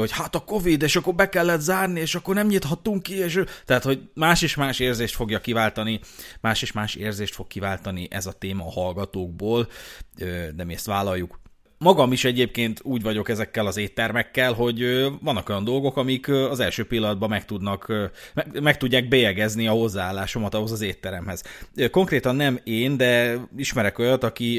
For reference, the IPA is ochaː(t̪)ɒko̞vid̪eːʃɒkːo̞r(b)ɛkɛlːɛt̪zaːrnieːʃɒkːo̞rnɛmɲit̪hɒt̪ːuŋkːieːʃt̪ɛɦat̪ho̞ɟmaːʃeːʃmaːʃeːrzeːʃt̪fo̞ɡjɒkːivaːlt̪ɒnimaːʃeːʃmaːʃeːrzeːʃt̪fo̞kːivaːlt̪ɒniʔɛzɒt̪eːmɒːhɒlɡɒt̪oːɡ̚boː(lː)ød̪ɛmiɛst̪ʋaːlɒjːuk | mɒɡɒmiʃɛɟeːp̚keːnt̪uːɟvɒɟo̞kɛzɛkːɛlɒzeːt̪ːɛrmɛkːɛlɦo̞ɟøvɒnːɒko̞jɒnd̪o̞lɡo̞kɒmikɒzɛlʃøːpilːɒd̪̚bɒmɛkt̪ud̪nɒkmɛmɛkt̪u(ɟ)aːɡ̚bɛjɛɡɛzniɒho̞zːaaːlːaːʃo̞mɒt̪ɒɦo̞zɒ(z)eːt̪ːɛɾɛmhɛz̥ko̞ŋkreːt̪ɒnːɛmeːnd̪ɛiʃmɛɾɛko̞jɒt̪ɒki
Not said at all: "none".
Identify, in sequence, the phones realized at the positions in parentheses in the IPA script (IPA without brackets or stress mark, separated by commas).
t̪, b, l, ɟː, z